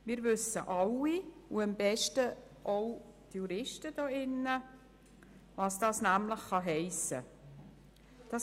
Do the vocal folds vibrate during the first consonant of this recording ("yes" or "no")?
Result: yes